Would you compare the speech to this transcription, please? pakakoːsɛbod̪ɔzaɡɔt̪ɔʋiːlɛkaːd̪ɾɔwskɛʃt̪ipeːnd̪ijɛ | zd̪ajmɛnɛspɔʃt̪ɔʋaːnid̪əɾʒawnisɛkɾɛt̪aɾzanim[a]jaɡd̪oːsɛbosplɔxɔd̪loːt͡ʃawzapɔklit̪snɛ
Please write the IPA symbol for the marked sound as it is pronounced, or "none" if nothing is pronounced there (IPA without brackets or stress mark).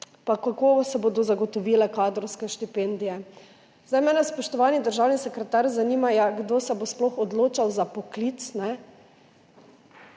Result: a